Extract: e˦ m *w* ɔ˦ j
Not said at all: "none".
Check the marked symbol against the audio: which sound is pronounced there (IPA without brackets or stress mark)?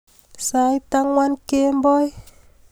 b